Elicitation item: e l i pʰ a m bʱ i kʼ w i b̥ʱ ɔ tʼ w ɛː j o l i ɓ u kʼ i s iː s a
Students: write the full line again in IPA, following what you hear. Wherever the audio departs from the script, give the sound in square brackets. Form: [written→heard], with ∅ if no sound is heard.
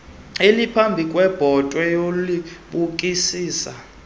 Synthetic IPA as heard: e l i pʰ a m bʱ i kʼ w [i→ɛ] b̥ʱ ɔ tʼ w [ɛː→ɛ] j o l i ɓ u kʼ i s iː s a